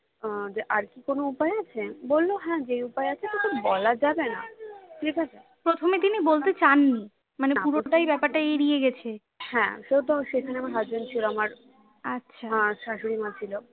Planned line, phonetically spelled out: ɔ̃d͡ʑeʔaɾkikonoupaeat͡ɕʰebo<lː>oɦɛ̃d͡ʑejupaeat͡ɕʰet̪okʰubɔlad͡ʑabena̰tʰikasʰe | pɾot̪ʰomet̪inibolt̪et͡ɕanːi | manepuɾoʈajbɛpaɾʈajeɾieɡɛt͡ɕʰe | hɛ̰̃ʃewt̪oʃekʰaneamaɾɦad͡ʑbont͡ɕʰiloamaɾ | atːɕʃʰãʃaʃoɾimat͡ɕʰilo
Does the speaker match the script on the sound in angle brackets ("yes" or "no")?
yes